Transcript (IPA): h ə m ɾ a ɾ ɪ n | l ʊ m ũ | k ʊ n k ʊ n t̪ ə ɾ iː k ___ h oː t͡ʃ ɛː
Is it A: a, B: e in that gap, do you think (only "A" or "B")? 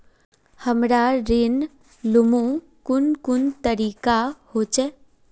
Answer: A